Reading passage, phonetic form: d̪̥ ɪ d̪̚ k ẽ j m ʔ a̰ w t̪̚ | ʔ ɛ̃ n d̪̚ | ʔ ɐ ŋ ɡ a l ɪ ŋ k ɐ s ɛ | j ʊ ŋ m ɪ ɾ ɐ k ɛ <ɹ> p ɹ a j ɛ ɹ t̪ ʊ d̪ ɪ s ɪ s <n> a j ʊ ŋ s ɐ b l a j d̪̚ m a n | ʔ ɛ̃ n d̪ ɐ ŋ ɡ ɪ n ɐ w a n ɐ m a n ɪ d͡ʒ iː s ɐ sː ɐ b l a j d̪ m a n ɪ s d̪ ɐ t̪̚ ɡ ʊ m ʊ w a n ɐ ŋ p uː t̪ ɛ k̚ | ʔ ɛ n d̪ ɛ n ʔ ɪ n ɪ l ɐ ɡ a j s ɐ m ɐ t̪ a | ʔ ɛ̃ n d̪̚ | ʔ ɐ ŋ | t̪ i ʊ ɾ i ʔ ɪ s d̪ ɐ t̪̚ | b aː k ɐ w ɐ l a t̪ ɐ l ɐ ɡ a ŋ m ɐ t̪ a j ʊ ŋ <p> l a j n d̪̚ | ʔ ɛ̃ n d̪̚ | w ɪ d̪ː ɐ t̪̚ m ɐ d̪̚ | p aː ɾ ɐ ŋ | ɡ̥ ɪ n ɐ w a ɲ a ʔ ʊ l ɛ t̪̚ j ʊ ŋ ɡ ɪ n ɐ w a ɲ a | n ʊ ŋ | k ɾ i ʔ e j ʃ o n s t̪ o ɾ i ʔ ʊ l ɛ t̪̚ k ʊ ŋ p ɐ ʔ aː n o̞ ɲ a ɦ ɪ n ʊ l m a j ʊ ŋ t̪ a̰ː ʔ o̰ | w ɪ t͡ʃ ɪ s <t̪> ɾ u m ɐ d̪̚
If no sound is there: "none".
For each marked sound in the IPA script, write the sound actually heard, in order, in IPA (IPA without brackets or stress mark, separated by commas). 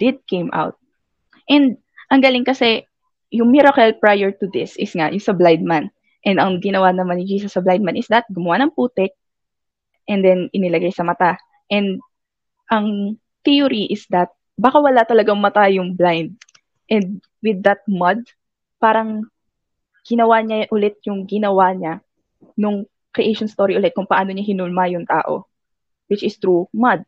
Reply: l, ŋ, b, t̪